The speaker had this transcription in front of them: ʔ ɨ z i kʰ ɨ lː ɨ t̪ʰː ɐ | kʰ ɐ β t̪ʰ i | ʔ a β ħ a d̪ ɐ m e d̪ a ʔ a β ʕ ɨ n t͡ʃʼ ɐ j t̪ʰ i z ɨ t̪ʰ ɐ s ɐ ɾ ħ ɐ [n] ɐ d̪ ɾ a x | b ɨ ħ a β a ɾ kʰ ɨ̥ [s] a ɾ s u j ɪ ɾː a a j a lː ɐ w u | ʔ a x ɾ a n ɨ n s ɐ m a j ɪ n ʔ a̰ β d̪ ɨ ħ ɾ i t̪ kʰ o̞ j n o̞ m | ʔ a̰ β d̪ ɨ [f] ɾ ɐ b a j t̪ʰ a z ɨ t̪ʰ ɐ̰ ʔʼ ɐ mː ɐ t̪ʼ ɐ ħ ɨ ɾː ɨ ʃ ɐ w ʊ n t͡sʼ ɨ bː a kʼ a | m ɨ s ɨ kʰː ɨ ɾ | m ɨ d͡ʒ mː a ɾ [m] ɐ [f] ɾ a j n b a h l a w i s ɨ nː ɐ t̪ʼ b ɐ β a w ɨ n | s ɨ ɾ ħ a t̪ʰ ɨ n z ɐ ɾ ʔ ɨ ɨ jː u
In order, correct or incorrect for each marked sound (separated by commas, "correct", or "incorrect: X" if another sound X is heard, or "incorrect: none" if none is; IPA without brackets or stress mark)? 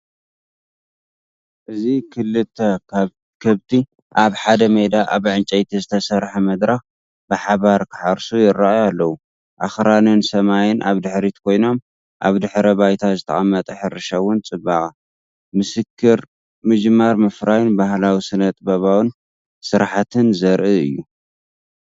incorrect: m, incorrect: ħ, incorrect: ħ, correct, correct